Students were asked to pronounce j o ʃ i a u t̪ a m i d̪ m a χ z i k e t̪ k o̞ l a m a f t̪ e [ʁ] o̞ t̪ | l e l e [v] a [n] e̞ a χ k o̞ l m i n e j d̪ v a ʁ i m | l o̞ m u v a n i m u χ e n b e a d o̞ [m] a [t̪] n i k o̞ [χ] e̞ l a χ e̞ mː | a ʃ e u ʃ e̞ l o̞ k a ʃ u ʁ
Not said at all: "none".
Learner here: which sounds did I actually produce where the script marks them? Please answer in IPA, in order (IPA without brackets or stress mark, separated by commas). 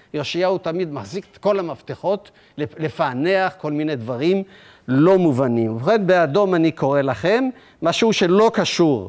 χ, f, n, m, none, ʁ